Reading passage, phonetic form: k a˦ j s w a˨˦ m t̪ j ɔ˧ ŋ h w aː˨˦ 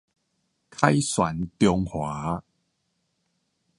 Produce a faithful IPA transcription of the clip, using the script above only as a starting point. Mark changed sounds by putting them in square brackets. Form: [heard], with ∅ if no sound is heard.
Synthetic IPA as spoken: [kʰ] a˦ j s w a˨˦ [n] t̪ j ɔ˧ ŋ h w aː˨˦